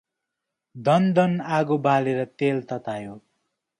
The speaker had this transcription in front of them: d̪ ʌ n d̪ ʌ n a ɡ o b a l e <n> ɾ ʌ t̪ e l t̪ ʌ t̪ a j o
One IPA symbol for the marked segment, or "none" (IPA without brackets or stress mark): none